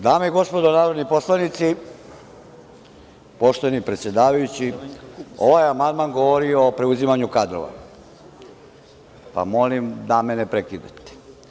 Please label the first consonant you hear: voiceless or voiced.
voiced